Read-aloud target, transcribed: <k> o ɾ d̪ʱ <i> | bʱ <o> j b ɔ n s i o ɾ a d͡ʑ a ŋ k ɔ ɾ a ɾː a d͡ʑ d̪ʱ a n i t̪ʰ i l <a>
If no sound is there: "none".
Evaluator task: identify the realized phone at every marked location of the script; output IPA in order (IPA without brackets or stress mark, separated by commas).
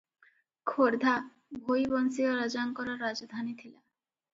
kʰ, a, o, a